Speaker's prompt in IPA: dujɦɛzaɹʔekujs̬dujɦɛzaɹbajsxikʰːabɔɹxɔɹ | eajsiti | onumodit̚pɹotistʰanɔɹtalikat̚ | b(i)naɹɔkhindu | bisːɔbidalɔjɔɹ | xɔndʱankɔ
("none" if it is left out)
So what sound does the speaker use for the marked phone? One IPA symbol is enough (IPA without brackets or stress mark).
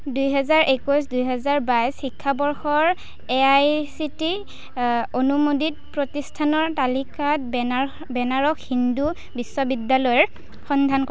ɛ